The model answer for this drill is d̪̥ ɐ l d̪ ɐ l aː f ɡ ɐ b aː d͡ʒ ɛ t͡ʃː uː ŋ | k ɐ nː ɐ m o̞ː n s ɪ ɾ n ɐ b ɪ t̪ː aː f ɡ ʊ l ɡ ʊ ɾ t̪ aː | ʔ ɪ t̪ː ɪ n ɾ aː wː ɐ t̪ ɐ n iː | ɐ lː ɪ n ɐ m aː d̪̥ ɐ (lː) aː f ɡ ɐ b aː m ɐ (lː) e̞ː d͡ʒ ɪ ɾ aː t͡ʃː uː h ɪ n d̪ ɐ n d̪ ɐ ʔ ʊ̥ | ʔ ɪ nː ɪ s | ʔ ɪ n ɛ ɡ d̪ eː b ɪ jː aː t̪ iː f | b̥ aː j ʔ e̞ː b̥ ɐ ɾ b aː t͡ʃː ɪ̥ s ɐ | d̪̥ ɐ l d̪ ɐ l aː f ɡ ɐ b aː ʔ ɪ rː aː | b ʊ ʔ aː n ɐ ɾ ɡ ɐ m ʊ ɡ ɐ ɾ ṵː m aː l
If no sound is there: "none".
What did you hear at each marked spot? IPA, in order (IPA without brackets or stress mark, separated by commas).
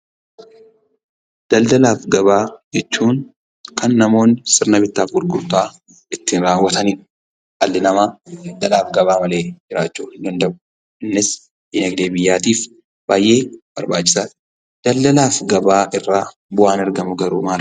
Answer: l, l